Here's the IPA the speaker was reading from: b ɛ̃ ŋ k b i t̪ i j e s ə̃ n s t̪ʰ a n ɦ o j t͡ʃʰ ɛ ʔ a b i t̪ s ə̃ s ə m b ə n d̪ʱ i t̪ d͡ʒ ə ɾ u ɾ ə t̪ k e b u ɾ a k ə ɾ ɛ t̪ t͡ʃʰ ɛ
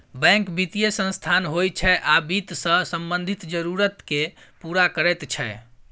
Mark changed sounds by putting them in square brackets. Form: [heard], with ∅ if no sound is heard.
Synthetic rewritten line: b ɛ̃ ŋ k b i t̪ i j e s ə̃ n s t̪ʰ a n ɦ o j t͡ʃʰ ɛ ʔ a b i t̪ s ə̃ s ə m b ə n d̪ʱ i t̪ d͡ʒ ə ɾ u ɾ ə t̪ k e [p] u ɾ a k ə ɾ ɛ t̪ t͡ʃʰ ɛ